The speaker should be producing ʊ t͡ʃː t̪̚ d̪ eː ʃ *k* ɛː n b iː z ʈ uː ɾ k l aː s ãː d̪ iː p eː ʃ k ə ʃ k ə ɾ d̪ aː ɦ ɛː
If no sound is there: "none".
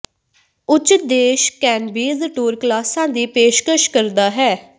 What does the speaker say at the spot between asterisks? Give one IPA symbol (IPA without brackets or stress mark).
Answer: k